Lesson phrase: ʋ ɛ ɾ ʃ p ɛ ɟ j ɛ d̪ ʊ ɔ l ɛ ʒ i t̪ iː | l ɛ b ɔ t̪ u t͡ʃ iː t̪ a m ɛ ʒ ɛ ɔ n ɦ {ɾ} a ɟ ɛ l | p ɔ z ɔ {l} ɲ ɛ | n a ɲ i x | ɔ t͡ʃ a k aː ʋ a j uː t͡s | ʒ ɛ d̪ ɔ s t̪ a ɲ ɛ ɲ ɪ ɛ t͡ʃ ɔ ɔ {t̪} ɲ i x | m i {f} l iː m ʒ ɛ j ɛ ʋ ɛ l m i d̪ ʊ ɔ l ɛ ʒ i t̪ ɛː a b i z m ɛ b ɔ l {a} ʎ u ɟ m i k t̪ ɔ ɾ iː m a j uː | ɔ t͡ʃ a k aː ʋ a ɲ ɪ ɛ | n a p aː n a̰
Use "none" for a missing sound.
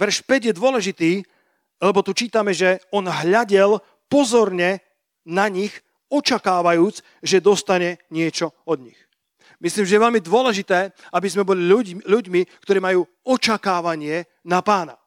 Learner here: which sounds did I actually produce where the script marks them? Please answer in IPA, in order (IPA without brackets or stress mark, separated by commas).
ʎ, ɾ, d̪, s, i